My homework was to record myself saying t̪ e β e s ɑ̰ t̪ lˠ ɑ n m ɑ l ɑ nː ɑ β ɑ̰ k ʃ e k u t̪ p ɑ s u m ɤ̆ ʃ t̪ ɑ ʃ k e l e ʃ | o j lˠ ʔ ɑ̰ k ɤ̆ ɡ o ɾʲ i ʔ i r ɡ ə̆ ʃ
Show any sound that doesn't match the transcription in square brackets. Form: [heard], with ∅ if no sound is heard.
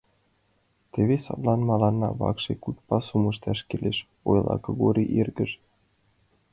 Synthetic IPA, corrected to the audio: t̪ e β e s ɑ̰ t̪ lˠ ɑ n m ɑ l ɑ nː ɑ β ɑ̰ k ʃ e k u t̪ p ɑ s u m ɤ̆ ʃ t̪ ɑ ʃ k e l e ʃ | o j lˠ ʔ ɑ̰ k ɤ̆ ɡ o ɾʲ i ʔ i r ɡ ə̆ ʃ